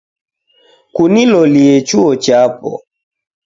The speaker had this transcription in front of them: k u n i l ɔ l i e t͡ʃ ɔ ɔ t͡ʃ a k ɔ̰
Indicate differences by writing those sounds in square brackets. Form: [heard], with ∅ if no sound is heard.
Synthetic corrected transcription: k u n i l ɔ l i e t͡ʃ [u] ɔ t͡ʃ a [p] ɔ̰